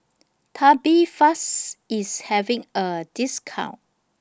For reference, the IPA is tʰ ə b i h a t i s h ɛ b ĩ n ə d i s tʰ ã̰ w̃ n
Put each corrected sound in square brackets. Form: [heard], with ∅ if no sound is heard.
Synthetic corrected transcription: tʰ [a] b i [f] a [s] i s h ɛ [v] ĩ [ŋ] ə d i s [kʰ] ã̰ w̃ n